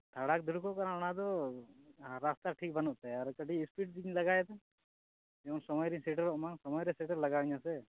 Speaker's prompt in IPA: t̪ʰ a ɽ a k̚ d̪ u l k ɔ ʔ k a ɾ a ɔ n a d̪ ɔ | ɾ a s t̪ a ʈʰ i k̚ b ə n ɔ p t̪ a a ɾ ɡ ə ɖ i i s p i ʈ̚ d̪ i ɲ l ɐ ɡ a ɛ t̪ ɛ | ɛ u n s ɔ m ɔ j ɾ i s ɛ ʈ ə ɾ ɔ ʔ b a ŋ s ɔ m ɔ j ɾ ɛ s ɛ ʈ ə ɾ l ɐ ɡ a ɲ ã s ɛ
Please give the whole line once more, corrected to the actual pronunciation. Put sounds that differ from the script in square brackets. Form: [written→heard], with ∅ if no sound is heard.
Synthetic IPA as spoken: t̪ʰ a ɽ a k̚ d̪ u [l→ɾ] k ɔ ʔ k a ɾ a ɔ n a d̪ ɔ | ɾ a s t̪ a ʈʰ i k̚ b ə n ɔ [p→ʔ] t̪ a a ɾ [ɡ→k] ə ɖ i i s p i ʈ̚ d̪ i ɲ l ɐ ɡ a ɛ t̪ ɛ | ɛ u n s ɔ m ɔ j ɾ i s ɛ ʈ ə ɾ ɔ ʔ [b→m] a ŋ s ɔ m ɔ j ɾ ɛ s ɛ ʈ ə ɾ l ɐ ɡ a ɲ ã s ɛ